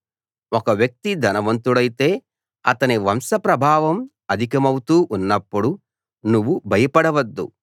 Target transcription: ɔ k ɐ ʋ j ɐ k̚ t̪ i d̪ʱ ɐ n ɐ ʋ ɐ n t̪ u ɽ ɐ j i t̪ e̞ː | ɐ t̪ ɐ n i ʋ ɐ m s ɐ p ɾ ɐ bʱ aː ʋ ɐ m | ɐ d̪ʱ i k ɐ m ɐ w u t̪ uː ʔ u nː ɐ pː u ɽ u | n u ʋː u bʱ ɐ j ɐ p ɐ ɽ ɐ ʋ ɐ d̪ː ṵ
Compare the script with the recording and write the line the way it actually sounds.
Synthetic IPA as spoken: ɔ k ɐ ʋ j ɐ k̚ t̪ i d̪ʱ ɐ n ɐ ʋ ɐ n t̪ u ɽ ɐ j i t̪ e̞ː | ɐ t̪ ɐ n i ʋ ɐ m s ɐ p ɾ ɐ bʱ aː ʋ ɐ m | ɐ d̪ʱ i k ɐ m ɐ w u t̪ uː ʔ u nː ɐ pː u ɽ u | n u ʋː u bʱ ɐ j ɐ p ɐ ɽ ɐ ʋ ɐ d̪ː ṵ